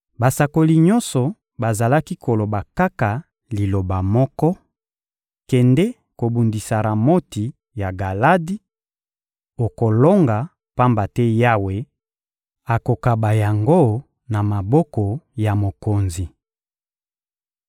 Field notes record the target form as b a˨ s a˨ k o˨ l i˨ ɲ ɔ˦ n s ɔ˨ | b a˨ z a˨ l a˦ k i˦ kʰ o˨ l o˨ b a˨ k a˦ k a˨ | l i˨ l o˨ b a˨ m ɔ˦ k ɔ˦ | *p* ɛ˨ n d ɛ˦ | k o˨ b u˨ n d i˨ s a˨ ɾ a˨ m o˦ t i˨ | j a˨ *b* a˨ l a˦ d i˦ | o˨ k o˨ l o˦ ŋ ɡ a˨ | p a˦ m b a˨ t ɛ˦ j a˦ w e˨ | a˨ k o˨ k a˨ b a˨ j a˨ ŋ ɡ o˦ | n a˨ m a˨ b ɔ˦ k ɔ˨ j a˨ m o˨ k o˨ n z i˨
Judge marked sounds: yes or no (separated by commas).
no, no